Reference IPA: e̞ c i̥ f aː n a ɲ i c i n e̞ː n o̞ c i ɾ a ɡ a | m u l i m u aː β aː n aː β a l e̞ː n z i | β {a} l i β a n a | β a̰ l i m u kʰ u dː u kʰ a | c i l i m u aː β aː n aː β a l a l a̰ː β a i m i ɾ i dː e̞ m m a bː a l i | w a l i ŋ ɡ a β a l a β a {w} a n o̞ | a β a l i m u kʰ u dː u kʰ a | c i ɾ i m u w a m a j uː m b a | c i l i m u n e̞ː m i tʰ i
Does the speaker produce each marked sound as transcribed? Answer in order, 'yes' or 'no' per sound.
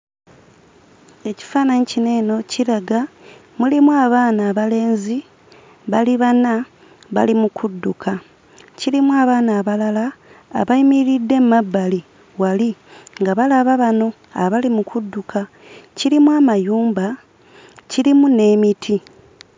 yes, no

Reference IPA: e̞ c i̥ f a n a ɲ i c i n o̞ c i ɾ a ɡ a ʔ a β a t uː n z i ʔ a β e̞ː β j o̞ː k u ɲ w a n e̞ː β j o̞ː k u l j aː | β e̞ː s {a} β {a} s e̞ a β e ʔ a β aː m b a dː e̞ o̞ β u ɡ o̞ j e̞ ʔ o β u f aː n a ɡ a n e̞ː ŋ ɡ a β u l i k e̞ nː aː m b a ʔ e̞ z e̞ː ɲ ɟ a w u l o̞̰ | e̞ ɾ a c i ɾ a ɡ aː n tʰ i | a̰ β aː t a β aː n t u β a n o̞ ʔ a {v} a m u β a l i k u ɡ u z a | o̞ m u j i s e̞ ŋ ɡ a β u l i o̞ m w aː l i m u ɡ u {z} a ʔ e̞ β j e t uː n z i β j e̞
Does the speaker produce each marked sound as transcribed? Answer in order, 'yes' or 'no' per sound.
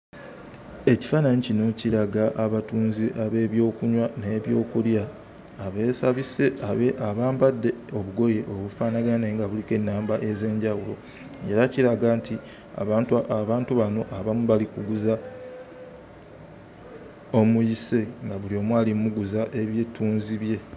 yes, no, no, yes

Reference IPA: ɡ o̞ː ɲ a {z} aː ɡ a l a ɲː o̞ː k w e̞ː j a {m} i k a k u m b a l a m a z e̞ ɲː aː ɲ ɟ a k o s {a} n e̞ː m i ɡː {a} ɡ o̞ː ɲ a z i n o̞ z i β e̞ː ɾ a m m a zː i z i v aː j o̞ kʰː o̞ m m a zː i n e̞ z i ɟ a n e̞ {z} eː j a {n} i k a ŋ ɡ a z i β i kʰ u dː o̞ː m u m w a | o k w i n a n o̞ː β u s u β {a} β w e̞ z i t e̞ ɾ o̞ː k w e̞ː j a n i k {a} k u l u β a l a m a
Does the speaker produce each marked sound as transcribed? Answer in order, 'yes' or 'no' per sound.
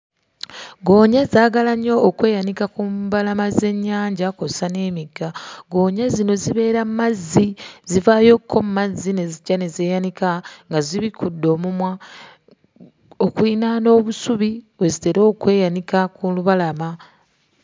yes, no, yes, yes, yes, yes, no, yes

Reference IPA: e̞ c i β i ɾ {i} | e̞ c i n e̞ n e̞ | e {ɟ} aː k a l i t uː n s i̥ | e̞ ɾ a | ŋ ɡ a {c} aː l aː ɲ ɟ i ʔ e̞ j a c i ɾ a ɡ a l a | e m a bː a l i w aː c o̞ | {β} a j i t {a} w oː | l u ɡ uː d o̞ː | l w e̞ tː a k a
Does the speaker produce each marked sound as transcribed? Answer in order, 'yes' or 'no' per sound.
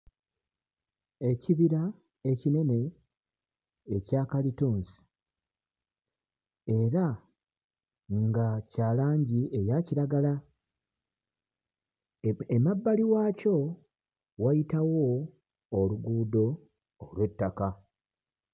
no, no, yes, no, yes

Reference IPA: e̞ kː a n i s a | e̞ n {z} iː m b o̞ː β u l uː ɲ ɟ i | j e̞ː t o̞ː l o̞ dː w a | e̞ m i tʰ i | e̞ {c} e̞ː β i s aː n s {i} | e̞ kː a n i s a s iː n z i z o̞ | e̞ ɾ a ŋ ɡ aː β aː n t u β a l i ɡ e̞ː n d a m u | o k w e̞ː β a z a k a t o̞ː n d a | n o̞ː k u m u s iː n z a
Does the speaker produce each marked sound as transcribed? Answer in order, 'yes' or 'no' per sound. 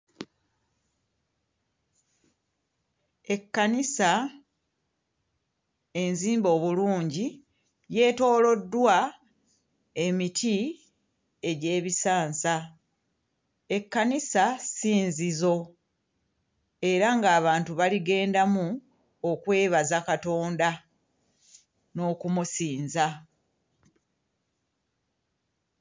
yes, no, no

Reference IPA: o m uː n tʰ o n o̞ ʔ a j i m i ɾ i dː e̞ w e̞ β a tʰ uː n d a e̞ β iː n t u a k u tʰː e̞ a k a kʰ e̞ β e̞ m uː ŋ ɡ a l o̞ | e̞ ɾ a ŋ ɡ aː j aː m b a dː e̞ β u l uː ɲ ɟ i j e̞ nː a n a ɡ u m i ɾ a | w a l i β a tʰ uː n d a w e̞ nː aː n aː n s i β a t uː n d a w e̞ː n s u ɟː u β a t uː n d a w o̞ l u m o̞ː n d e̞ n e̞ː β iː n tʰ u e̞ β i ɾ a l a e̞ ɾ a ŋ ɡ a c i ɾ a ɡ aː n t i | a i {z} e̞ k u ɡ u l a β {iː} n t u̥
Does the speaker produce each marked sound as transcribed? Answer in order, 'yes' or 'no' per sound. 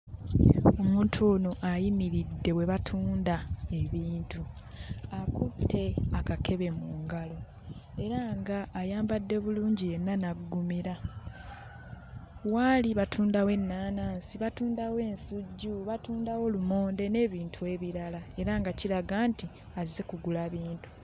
yes, yes

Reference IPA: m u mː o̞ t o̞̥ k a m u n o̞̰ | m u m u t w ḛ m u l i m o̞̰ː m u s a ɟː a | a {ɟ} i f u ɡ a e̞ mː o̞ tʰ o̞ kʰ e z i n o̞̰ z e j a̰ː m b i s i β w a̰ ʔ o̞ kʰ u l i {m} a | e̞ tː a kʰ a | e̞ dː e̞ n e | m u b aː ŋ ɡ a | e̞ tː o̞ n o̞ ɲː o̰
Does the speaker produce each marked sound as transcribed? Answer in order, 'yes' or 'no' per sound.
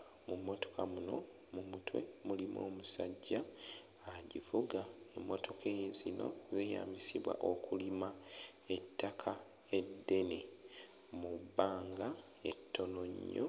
yes, yes

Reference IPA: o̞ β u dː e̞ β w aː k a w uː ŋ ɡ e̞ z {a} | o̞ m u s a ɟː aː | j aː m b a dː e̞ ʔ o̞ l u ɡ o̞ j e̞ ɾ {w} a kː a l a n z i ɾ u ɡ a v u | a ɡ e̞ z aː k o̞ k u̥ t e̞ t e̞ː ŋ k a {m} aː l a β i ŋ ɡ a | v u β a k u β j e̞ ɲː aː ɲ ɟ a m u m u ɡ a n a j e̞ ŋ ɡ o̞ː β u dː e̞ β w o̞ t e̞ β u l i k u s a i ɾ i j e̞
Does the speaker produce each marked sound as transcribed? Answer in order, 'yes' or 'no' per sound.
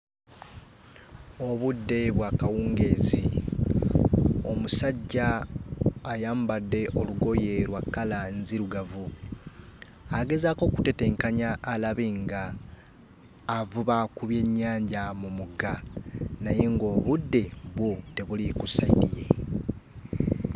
no, yes, no

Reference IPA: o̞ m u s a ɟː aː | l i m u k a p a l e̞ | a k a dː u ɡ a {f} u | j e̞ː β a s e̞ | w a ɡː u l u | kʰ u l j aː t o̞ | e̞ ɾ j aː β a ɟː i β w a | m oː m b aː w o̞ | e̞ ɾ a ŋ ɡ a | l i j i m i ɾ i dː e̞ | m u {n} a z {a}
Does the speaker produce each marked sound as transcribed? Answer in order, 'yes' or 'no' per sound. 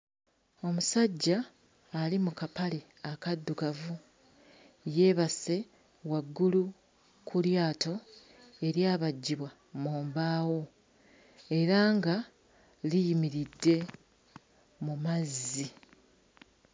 no, no, no

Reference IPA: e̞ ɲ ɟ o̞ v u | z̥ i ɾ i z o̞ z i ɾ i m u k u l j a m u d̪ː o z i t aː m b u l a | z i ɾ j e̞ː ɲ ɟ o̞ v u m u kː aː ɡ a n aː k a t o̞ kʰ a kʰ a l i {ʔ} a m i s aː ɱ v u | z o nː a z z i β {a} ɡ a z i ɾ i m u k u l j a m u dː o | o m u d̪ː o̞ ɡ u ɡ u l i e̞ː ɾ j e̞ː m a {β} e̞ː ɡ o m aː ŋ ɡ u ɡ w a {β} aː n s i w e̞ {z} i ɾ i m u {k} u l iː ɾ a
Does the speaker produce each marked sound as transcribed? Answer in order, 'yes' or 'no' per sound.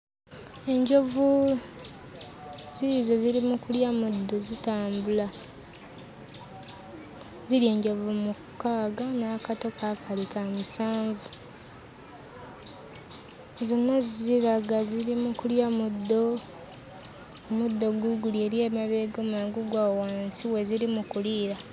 no, yes, yes, no, yes, yes

